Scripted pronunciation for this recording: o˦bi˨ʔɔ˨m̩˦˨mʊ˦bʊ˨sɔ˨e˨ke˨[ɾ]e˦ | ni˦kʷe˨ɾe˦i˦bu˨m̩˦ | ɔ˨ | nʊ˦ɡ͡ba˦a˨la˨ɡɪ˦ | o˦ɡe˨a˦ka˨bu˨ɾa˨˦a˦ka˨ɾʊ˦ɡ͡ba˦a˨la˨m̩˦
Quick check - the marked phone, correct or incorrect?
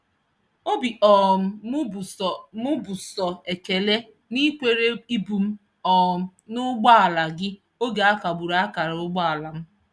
incorrect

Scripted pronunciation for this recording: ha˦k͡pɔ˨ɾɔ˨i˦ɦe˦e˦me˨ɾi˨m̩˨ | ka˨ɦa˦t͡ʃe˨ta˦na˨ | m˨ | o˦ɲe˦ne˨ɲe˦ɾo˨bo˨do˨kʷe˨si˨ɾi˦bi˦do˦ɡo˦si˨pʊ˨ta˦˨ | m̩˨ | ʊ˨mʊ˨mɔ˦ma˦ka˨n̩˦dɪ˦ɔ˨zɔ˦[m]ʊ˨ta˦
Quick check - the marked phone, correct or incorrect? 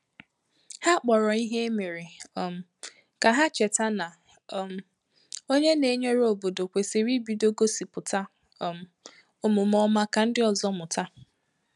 correct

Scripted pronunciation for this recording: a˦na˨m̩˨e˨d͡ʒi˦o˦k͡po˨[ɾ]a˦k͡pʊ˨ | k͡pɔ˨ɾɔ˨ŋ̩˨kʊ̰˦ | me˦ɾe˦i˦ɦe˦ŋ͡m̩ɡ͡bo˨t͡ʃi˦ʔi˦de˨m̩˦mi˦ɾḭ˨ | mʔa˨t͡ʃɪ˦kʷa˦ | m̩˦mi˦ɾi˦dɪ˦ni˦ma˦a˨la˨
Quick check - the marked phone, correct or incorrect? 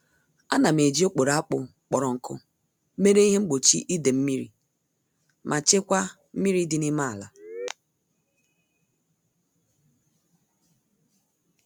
correct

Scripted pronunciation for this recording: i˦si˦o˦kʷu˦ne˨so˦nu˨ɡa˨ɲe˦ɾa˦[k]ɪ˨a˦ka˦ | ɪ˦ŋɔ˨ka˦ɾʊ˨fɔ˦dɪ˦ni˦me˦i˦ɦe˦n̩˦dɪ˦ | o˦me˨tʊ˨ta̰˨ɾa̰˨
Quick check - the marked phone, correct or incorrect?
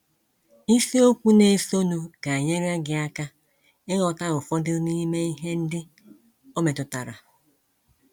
incorrect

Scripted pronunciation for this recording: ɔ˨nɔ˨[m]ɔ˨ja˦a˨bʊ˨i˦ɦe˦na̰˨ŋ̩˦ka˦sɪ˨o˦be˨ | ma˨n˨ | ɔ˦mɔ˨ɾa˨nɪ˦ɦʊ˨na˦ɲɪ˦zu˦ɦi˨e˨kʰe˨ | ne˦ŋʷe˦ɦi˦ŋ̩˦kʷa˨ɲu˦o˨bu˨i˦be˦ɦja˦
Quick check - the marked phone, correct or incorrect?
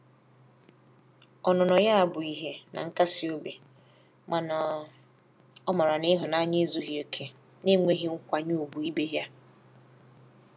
incorrect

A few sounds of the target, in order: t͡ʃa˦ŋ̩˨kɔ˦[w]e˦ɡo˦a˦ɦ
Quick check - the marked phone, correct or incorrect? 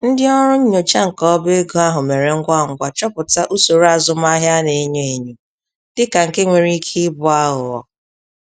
incorrect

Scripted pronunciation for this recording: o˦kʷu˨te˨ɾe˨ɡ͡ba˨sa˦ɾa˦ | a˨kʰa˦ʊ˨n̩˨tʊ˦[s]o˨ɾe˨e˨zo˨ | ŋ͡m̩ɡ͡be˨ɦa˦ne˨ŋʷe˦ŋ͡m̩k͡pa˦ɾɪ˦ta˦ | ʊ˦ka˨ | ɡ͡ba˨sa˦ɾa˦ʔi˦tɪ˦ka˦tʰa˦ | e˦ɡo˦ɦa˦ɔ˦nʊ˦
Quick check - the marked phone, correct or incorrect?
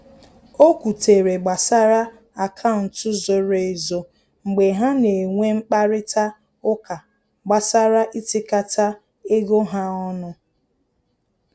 incorrect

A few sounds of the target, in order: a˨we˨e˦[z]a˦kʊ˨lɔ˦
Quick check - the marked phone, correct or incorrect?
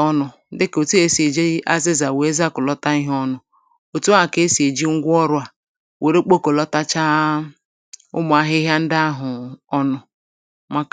correct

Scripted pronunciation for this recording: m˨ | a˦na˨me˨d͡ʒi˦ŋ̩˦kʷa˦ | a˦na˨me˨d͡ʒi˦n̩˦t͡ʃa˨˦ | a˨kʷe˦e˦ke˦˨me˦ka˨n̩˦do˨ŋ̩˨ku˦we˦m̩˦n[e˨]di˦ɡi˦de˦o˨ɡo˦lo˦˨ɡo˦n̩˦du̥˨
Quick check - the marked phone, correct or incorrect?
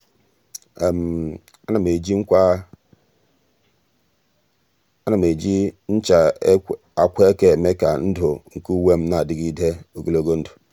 incorrect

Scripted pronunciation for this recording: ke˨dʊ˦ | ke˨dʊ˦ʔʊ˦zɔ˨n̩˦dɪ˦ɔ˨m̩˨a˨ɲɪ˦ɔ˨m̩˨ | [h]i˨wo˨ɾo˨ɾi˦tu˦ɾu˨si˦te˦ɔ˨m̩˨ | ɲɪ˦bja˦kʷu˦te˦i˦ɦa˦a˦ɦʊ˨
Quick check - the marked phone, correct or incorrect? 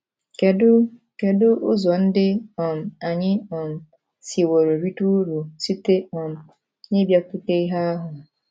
incorrect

